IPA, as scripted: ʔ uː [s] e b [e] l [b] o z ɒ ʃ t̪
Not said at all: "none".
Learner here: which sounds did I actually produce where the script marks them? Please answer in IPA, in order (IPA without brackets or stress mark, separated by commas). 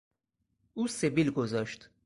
s, i, ɡ